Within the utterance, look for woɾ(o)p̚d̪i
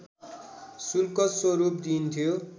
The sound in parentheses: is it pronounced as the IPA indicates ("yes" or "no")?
no